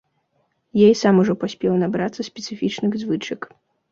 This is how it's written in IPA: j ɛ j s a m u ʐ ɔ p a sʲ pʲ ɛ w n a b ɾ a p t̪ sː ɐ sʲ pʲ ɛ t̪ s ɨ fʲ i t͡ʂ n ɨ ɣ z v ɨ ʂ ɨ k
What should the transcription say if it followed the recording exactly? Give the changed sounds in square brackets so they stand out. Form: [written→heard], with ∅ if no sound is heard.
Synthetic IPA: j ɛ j s a m u ʐ ɔ p a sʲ pʲ ɛ w n a b ɾ a [p→∅] t̪ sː ɐ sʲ pʲ ɛ t̪ s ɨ fʲ i t͡ʂ n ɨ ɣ z v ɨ [ʂ→t͡ʂ] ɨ k